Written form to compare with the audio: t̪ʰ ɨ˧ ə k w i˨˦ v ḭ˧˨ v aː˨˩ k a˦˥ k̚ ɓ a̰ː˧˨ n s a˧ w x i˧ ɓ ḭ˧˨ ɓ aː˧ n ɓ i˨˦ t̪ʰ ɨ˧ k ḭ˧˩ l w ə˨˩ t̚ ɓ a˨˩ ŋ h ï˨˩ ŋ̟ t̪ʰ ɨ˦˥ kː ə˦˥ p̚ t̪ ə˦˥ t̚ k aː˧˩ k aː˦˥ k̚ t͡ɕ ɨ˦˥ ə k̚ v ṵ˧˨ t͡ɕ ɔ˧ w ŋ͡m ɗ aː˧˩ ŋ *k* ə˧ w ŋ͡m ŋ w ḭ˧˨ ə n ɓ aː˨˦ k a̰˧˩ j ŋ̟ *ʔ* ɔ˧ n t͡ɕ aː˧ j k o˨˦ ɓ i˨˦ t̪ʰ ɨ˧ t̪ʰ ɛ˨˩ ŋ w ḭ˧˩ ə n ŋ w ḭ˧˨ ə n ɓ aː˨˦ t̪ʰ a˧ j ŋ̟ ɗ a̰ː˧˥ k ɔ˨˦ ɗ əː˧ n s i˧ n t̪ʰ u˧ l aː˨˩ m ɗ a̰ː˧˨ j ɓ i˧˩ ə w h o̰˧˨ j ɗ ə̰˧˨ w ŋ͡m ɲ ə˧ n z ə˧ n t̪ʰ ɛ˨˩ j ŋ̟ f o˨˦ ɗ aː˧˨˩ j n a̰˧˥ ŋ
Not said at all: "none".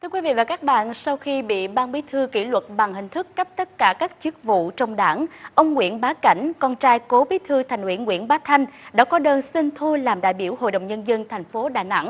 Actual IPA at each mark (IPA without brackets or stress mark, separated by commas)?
ʔ, k